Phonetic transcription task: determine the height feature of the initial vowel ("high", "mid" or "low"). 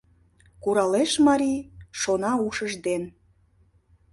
high